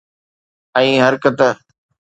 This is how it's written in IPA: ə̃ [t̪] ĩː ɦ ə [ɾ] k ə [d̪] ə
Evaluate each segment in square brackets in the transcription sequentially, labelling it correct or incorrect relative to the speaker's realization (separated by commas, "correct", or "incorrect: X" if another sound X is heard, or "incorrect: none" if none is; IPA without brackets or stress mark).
incorrect: none, correct, incorrect: t̪